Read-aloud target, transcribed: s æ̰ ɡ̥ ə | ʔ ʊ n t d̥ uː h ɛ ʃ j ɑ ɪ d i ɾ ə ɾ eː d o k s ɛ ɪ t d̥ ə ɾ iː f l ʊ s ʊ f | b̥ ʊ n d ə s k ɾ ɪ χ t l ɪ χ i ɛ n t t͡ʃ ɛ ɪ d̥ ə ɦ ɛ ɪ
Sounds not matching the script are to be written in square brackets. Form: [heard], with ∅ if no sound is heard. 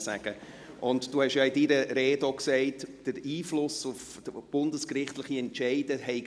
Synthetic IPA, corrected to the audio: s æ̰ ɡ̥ ə | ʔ ʊ n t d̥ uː h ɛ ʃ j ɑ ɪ d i ɾ ə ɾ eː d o k s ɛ ɪ t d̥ ə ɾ iː f l ʊ s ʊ f | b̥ ʊ n d ə s k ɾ ɪ χ t l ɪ χ i ɛ n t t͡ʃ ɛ ɪ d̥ ə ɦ ɛ ɪ

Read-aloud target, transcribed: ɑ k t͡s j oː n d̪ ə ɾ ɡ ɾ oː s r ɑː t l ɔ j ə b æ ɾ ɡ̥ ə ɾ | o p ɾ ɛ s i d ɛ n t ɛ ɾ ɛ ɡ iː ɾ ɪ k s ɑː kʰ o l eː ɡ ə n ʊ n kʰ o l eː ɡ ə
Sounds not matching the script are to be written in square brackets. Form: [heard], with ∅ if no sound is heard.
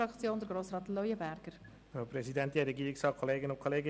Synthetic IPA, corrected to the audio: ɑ k t͡s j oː n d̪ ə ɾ ɡ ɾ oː s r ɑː t l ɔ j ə b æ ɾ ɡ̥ ə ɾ | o p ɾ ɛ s i d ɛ n t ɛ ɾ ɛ ɡ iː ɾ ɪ k s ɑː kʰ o l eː ɡ ə n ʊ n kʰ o l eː ɡ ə

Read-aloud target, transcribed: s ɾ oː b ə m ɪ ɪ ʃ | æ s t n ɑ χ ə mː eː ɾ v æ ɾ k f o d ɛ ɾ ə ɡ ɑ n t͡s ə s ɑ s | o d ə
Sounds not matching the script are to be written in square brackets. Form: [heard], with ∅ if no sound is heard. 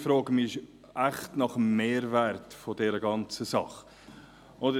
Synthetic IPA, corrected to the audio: [f] ɾ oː [ɡ] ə m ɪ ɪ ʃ | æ [χ] t n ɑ χ ə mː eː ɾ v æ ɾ [t] f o d ɛ ɾ ə ɡ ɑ n t͡s ə s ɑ [χ] | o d ə

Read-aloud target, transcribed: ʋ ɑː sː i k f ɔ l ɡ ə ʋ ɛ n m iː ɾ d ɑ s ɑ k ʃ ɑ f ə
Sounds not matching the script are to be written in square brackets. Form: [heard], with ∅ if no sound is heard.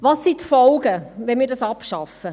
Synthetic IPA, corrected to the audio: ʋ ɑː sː i [t] f ɔ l ɡ ə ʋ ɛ n m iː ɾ d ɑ s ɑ [p] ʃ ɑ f ə

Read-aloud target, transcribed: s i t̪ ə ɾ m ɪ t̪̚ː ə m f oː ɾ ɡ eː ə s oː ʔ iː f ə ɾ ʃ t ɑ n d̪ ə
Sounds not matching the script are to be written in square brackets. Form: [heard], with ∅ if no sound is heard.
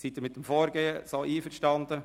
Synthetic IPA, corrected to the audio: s i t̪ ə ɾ m ɪ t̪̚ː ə m f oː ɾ ɡ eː ə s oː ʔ iː f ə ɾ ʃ t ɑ n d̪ ə

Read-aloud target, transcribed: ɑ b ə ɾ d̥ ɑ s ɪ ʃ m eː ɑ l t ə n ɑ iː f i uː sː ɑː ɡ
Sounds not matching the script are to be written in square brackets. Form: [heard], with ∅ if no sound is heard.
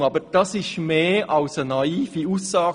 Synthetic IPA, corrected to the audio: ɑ b ə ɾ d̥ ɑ s ɪ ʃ m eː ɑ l [s] ə n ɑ iː f i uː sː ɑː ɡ

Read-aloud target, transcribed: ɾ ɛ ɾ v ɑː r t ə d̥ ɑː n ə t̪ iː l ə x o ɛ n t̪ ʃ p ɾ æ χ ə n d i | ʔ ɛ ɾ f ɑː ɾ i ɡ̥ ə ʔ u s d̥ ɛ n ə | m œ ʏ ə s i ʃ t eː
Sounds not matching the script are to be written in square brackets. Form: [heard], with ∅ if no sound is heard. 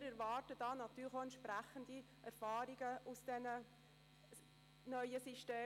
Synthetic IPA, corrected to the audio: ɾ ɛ ɾ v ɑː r t ə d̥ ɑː n [ɑ] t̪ [yː] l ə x o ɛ n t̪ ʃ p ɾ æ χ ə n d i | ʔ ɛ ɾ f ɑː ɾ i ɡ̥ ə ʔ u s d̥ ɛ n ə | [n] œ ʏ ə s i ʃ t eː

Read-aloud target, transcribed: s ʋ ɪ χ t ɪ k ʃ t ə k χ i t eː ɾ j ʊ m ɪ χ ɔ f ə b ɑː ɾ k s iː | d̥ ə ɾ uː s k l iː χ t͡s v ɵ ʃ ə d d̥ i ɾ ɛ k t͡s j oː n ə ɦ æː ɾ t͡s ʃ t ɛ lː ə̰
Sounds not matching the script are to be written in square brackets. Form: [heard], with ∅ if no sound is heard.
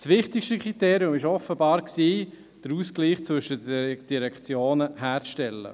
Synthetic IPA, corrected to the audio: s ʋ ɪ χ t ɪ k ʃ t ə k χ i t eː ɾ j ʊ m ɪ [ʃ] ɔ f ə b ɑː ɾ k s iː | d̥ ə ɾ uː s k l iː χ t͡s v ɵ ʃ ə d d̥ i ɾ ɛ k t͡s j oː n ə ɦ æː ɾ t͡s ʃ t ɛ lː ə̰

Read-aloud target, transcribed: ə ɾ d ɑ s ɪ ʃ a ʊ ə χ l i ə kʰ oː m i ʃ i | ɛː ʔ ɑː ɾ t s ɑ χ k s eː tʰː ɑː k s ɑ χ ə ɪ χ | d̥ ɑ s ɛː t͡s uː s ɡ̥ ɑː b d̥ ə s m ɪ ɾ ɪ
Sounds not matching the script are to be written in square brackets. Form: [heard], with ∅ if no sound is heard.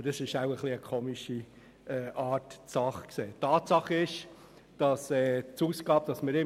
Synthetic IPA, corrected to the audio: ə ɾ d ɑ s ɪ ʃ a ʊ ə χ l i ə kʰ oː m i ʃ i | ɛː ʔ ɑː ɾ t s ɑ χ k s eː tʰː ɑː [t] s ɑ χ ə ɪ [ʃ] | d̥ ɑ s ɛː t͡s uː s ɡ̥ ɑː b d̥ [ɑ] s m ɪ ɾ ɪ

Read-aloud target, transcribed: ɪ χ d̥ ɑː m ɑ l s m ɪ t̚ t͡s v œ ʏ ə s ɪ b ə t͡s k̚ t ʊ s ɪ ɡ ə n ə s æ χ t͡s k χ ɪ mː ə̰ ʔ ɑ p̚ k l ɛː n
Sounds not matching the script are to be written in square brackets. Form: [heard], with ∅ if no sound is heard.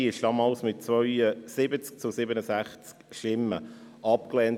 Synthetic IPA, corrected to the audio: ɪ [ʃ] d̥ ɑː m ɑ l s m ɪ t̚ t͡s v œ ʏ ə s ɪ b ə t͡s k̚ [t͡s] ʊ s ɪ [b] ə n ə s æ χ t͡s k [ʃ] ɪ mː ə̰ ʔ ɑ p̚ k l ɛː n

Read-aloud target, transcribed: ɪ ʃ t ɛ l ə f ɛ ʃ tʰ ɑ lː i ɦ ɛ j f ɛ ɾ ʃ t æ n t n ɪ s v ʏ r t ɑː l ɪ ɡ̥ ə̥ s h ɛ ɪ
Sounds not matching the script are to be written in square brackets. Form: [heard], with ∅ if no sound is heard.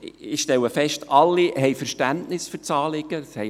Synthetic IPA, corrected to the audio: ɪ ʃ t ɛ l ə f ɛ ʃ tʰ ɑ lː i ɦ ɛ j f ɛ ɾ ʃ t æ n t n ɪ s [f] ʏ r [t͡s] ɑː l ɪ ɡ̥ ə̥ s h ɛ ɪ

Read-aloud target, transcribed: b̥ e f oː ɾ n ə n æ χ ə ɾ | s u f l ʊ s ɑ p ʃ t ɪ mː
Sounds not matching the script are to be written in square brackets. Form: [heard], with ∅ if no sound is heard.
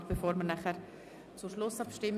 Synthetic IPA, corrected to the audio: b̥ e f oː ɾ [m] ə n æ χ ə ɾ | [t͡s] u [ʃ] l ʊ s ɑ p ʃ t ɪ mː

